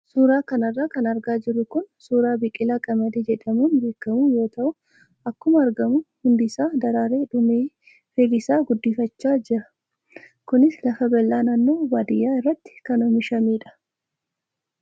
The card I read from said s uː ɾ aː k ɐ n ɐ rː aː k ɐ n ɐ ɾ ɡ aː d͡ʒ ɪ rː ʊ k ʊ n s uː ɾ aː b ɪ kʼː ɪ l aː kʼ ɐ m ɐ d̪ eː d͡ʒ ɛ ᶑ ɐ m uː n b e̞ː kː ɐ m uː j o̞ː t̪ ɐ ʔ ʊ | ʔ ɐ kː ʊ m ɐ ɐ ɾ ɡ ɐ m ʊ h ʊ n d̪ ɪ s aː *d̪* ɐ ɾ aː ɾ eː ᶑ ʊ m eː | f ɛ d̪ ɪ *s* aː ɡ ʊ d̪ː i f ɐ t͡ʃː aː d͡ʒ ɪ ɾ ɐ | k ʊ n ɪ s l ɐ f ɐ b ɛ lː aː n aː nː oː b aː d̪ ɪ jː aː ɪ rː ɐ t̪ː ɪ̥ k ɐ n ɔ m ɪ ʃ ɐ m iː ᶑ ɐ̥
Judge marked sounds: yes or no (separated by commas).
yes, yes